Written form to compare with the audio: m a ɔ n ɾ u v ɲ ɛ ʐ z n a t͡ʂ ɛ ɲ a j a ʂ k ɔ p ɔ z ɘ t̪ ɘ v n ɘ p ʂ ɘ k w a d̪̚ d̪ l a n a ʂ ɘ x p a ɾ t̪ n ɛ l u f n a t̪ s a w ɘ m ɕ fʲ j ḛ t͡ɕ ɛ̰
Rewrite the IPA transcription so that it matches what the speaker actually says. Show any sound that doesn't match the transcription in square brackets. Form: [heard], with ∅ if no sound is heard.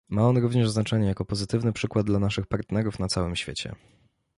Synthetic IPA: m a ɔ n ɾ u v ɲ ɛ ʐ z n a t͡ʂ ɛ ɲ [ɛ] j a [∅] k ɔ p ɔ z ɘ t̪ ɘ v n ɘ p ʂ ɘ k w a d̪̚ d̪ l a n a ʂ ɘ x p a ɾ t̪ n ɛ [ɾ] u f n a t̪ s a w ɘ m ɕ fʲ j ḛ t͡ɕ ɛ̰